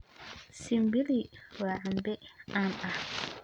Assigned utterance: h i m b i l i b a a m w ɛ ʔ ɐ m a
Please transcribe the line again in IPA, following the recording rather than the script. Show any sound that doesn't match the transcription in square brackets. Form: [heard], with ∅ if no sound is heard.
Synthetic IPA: [s] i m b i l i [w] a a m [b] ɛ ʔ [a] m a